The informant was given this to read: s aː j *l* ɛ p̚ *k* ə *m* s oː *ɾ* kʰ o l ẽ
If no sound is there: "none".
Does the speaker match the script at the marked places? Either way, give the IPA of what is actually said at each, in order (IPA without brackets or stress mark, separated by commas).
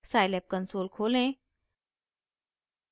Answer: l, k, n, l